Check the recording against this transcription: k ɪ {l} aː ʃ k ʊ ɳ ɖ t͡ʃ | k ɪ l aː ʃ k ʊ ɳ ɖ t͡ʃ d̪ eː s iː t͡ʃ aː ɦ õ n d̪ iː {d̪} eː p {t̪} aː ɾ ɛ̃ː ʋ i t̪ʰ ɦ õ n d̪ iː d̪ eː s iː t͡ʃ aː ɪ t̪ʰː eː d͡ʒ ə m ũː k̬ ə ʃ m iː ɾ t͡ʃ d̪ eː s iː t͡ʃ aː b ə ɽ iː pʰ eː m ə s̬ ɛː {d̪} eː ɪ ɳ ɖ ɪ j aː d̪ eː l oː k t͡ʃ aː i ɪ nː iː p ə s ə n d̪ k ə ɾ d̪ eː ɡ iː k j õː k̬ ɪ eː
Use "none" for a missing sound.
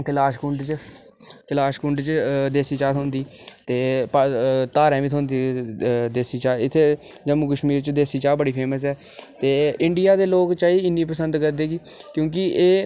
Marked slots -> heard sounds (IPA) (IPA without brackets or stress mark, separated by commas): l, t̪, t̪, t̪